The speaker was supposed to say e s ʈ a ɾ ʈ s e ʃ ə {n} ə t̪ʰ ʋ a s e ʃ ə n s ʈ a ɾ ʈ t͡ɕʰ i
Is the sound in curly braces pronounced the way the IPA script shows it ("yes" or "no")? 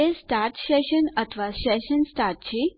yes